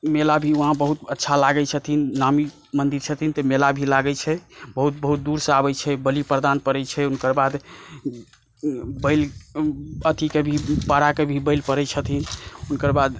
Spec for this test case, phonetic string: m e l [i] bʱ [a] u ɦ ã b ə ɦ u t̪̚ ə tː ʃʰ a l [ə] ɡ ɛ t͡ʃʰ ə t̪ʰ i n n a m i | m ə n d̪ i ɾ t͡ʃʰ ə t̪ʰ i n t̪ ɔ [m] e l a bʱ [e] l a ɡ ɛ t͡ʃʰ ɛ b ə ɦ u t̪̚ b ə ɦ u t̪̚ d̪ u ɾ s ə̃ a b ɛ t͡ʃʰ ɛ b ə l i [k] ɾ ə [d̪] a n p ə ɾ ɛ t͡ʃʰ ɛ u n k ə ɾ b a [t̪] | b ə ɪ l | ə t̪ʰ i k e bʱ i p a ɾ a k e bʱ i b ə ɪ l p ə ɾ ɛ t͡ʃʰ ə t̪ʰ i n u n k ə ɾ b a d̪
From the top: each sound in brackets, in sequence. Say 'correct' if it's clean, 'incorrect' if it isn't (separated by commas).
incorrect, incorrect, incorrect, correct, incorrect, incorrect, correct, incorrect